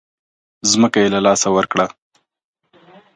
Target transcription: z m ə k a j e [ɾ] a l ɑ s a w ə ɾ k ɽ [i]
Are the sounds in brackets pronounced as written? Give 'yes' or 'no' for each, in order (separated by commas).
no, no